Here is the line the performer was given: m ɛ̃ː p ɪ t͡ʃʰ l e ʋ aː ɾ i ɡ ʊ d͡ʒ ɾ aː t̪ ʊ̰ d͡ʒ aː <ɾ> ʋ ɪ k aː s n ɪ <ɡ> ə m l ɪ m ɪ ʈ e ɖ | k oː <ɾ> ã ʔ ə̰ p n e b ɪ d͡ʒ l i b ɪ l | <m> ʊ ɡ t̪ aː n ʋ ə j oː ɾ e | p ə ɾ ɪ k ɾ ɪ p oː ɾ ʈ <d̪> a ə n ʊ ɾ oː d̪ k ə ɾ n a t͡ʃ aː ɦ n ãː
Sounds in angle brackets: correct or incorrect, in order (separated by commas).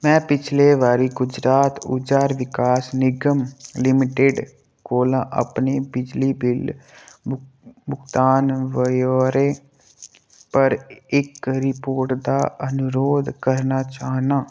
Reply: correct, correct, incorrect, incorrect, correct